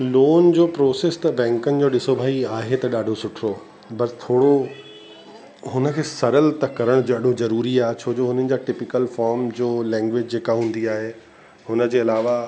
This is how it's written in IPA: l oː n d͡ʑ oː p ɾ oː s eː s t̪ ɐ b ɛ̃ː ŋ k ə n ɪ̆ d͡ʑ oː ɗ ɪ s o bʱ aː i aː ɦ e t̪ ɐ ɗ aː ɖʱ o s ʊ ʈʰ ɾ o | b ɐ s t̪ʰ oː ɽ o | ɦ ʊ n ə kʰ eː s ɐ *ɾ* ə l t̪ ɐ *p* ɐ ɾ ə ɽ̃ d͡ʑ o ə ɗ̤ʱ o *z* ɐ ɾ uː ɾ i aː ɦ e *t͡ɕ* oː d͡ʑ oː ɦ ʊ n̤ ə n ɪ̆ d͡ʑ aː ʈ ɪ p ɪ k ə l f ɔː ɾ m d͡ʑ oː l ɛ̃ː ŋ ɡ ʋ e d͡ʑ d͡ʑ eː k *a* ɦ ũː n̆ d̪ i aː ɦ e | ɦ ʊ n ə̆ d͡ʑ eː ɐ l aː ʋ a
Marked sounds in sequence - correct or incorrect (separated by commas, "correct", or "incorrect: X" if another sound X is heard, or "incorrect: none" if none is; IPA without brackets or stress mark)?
correct, incorrect: k, correct, incorrect: t͡ɕʰ, correct